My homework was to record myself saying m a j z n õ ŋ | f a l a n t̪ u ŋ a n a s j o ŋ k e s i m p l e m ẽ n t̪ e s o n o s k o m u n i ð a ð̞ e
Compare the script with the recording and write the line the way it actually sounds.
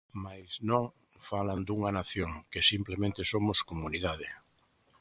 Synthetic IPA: m a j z n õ ŋ | f a l a n d̪ u ŋ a n a θ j o ŋ k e s i m p l e m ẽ n t̪ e s o m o s k o m u n i ð a ð̞ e